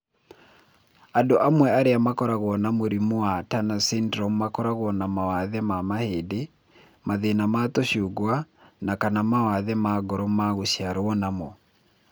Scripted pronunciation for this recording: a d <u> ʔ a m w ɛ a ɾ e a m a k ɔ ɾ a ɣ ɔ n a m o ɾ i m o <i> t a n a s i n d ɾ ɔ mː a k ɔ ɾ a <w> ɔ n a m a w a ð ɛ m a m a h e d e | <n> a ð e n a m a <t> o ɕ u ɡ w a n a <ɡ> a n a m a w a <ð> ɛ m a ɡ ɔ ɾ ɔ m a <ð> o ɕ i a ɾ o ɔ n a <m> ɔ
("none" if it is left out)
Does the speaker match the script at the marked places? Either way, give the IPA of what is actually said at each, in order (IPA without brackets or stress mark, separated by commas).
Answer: o, a, ɣ, m, t, k, ð, ɣ, m